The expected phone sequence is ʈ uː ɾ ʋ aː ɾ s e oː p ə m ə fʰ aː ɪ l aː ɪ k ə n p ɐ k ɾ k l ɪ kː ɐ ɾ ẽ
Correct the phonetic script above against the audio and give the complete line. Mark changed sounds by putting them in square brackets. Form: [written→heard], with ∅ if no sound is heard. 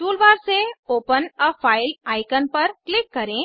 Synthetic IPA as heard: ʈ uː [ɾ→l] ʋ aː ɾ s e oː p ə [m→n] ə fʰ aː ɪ l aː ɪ k ə n p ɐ [k→∅] ɾ k l ɪ kː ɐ ɾ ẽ